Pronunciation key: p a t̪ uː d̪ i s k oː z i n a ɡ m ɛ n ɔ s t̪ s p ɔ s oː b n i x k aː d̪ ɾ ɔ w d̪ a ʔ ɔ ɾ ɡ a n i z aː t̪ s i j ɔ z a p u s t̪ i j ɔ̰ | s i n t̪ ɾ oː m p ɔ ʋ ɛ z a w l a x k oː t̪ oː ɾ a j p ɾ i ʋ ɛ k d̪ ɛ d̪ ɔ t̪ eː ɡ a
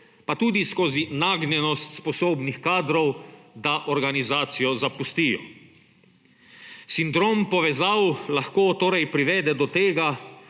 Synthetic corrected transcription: p a t̪ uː d̪ i s k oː z i n a ɡ n ɛ n ɔ s t̪ s p ɔ s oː b n i x k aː d̪ ɾ ɔ w d̪ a ʔ ɔ ɾ ɡ a n i z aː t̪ s i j ɔ z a p u s t̪ i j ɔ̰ | s i n d̪ ɾ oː m p ɔ ʋ ɛ z a w l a x k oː t̪ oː ɾ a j p ɾ i ʋ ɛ d̪ ɛ d̪ ɔ t̪ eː ɡ a

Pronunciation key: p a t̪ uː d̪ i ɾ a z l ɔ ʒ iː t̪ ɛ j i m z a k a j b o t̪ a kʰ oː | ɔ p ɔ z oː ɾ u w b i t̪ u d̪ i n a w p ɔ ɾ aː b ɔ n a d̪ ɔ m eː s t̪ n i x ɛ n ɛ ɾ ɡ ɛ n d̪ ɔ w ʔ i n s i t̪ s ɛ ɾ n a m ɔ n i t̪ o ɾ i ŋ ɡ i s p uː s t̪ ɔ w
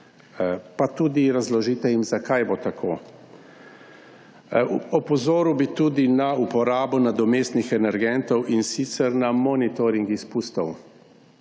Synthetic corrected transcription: p a t̪ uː d̪ i ɾ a z l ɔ ʒ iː t̪ ɛ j i m z a k a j b o t̪ a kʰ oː | ɔ p ɔ z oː ɾ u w b i t̪ u d̪ i n a u p ɔ ɾ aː b ɔ n a d̪ ɔ m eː s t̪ n i x ɛ n ɛ ɾ ɡ ɛ n t̪ ɔ w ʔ i n s i t̪ s ɛ ɾ n a m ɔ n i t̪ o ɾ i ŋ ɡ i s p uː s t̪ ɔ w

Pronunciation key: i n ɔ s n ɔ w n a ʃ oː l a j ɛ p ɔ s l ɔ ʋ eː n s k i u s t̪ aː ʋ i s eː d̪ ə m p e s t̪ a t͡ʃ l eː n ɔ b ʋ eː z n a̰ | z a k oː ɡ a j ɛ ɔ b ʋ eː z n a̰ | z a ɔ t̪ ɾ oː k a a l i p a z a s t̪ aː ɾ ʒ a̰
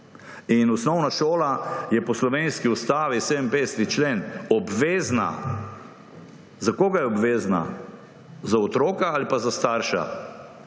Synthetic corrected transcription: i n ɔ s n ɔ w n a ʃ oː l a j ɛ p ɔ s l ɔ ʋ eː n s k i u s t̪ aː ʋ i s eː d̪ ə m p e s t̪ i t͡ʃ l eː n ɔ b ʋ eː z n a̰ | z a k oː ɡ a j ɛ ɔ b ʋ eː z n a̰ | z a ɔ t̪ ɾ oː k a a l i p a z a s t̪ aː ɾ ʃ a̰

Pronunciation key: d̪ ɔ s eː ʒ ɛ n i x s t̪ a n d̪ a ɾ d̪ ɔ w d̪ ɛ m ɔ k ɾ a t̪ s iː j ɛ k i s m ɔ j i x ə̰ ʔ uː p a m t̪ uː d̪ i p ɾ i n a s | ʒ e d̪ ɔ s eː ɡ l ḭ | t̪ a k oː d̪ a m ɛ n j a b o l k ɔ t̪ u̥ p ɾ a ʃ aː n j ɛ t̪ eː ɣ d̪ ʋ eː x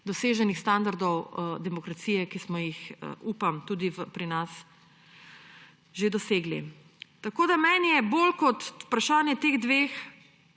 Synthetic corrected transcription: d̪ ɔ s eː ʒ ɛ n i x s t̪ a n d̪ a ɾ d̪ ɔ w d̪ ɛ m ɔ k ɾ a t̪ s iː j ɛ k i s m ɔ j i x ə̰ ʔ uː p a m t̪ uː d̪ i p ɾ i n a s | ʒ e d̪ ɔ s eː ɡ l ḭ | t̪ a k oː d̪ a m ɛ n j ɛ b o l k ɔ t̪ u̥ p ɾ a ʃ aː n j ɛ t̪ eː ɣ d̪ ʋ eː x

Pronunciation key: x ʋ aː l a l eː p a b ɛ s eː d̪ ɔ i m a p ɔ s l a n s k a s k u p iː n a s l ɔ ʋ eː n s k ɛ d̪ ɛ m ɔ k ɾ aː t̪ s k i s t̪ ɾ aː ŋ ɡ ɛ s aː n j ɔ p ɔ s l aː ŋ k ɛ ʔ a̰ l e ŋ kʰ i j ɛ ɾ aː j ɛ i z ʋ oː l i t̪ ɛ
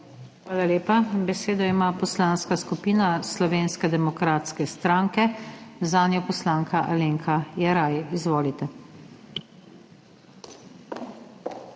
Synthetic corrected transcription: x ʋ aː l a l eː p a b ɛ s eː d̪ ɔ i m a p ɔ s l a n s k a s k u p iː n a s l ɔ ʋ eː n s k ɛ d̪ ɛ m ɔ k ɾ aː t̪ s k ɛ s t̪ ɾ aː ŋ k ɛ z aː n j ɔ p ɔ s l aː ŋ k a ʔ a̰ l e ŋ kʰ a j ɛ ɾ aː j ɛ i z ʋ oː l i t̪ ɛ

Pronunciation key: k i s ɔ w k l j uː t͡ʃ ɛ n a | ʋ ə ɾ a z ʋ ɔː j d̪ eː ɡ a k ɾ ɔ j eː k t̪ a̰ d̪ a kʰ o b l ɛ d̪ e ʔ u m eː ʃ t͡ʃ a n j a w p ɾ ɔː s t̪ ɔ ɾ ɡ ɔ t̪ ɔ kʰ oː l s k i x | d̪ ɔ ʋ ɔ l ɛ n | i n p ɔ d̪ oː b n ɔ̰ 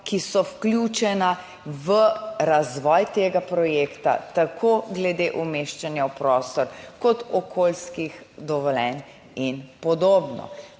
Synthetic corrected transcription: k i s ɔ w k l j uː t͡ʃ ɛ n a | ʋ ə ɾ a z ʋ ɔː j t̪ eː ɡ a p ɾ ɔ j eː k t̪ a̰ t̪ a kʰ o ɡ l ɛ d̪ e ʔ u m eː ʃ t͡ʃ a n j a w p ɾ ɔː s t̪ ɔ ɾ k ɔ t̪ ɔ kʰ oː l s k i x | d̪ ɔ ʋ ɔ l ɛ n | i n p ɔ d̪ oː b n ɔ̰

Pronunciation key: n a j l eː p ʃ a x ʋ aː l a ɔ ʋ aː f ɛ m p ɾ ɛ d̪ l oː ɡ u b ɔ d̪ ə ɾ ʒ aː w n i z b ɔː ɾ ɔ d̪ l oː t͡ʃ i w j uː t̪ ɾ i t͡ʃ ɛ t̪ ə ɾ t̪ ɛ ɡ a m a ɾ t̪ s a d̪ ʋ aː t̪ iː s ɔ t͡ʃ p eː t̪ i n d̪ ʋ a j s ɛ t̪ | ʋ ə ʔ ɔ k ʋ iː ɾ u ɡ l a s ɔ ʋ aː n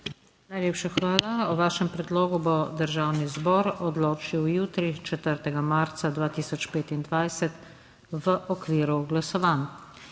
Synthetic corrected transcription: n a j l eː p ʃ a x ʋ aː l a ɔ ʋ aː ʃ ɛ m p ɾ ɛ d̪ l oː ɡ u b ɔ d̪ ə ɾ ʒ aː w n i z b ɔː ɾ ɔ d̪ l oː t͡ʃ i w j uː t̪ ɾ i t͡ʃ ɛ t̪ ə ɾ t̪ ɛ ɡ a m a ɾ t̪ s a d̪ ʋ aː t̪ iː s ɔ t͡ʃ p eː t̪ i n d̪ ʋ a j s ɛ t̪ | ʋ ə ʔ ɔ k ʋ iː ɾ u ɡ l a s ɔ ʋ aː n

